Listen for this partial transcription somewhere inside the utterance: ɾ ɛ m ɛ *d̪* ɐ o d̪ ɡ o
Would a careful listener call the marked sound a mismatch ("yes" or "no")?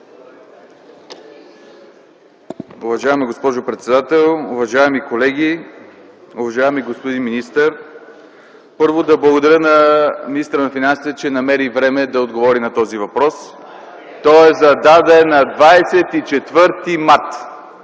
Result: no